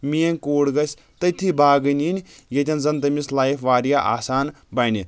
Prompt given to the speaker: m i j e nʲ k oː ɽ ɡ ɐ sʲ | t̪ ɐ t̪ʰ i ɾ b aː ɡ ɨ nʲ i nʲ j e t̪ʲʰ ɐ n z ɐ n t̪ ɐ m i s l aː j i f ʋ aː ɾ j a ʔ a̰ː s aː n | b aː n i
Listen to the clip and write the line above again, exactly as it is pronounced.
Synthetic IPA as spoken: m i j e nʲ k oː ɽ ɡ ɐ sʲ | t̪ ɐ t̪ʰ i b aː ɡ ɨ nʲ i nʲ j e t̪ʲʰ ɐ n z ɐ n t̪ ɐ m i s l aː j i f ʋ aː ɾ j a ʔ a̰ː s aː n | b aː n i